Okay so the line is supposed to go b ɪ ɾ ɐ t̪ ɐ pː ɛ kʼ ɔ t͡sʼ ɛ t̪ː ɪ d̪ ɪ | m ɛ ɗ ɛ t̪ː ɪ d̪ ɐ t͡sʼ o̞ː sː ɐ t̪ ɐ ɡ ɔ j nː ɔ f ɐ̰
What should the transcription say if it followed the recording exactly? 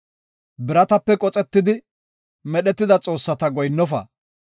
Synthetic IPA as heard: b ɪ ɾ ɐ t̪ ɐ pː ɛ kʼ ɔ t͡sʼ ɛ t̪ː ɪ d̪ ɪ | m ɛ ɗ ɛ t̪ː ɪ d̪ ɐ t͡sʼ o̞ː sː ɐ t̪ ɐ ɡ ɔ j nː ɔ f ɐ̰